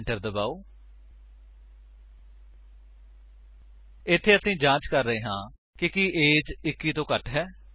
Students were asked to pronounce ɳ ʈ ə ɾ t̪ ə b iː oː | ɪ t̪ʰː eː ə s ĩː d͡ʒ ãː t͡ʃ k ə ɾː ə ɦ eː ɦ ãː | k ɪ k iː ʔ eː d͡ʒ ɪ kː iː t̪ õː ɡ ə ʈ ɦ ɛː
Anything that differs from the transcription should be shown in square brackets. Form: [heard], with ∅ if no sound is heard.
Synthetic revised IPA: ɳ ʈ ə ɾ [d̪] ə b [aː] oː | ɪ t̪ʰː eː ə s ĩː d͡ʒ ãː t͡ʃ k ə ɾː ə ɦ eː ɦ ãː | k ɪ k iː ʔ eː d͡ʒ ɪ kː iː t̪ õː [k] ə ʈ ɦ ɛː